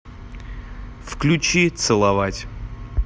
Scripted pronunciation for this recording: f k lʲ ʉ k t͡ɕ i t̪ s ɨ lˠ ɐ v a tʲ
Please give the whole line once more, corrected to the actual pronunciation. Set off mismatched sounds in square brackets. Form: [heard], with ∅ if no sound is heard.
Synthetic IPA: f k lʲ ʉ [∅] t͡ɕ i t̪ s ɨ lˠ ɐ v a tʲ